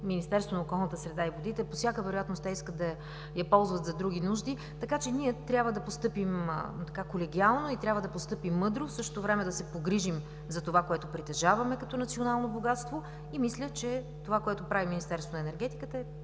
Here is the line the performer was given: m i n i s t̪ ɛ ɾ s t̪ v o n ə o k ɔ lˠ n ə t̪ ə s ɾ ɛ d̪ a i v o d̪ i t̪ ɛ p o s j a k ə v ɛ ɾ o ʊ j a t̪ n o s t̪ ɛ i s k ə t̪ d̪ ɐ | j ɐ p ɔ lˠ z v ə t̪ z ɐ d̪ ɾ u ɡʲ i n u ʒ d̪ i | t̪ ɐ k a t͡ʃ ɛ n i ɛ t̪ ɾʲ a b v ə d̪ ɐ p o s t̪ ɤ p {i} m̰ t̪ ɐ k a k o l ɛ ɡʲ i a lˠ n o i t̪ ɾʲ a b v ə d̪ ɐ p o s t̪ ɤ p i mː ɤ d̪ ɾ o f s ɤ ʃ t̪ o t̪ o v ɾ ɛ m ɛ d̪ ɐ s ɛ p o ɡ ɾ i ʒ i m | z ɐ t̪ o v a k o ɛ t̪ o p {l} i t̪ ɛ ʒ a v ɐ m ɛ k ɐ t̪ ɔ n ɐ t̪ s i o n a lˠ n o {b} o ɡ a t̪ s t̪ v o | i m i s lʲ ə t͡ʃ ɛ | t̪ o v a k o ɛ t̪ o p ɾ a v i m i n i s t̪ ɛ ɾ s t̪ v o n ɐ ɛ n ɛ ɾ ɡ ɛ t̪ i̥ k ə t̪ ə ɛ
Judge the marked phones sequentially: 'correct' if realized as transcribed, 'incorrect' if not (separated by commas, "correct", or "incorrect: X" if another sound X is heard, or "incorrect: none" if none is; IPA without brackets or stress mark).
correct, incorrect: ɾ, correct